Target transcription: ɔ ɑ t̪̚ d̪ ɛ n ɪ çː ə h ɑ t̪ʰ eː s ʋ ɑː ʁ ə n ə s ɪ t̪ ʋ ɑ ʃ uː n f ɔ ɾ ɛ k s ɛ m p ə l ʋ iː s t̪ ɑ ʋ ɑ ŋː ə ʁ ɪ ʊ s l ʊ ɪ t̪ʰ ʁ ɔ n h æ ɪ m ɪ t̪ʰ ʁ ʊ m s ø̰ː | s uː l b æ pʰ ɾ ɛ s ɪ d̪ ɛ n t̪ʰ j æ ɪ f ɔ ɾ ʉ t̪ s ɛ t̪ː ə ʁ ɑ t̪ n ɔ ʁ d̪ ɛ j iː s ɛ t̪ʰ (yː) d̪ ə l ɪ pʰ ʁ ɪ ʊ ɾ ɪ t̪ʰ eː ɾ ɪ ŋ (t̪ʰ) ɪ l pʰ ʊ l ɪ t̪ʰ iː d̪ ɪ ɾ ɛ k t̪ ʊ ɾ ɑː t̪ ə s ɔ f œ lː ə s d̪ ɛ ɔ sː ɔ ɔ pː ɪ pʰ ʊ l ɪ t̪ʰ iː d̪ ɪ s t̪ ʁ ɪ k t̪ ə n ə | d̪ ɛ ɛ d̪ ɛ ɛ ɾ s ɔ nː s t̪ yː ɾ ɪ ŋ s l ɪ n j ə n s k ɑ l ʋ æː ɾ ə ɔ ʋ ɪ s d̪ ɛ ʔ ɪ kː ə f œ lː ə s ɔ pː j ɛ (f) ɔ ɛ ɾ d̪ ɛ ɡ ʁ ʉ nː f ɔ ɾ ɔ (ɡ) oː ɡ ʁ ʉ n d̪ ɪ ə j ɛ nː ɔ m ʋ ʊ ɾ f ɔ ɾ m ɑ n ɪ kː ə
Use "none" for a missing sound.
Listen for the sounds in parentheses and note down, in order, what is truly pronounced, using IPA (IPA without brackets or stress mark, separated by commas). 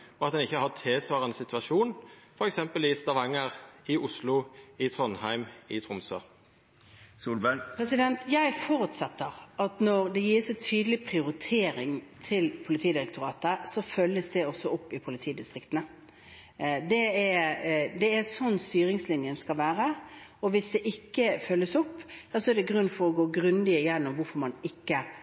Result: yː, t̪ʰ, s, ɡ